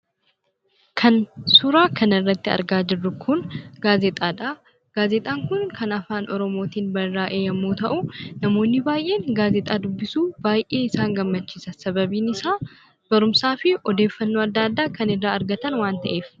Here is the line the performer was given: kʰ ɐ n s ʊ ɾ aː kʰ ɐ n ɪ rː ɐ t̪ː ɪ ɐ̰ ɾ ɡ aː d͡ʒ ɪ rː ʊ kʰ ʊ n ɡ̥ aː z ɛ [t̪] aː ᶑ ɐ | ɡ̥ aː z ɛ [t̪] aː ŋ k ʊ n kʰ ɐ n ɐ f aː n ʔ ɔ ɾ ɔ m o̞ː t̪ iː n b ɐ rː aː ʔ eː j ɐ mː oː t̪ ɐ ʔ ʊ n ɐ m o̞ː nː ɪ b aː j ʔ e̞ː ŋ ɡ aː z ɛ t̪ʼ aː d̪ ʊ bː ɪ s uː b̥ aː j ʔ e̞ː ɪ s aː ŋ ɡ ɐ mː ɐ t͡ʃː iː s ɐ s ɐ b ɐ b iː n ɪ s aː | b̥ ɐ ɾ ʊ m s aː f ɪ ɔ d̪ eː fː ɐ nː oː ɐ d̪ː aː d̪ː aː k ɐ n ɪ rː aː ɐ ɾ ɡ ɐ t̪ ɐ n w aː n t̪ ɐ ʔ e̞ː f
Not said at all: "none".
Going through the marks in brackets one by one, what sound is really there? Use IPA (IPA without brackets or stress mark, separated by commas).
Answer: t̪ʼ, t̪ʼ